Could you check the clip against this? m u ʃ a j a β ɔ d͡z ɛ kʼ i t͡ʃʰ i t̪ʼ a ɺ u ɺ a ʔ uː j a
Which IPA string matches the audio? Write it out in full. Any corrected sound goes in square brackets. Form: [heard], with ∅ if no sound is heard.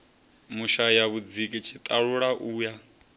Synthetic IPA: m u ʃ a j a β [u] d͡z [i] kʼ i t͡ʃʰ i t̪ʼ a ɺ u ɺ a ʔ uː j a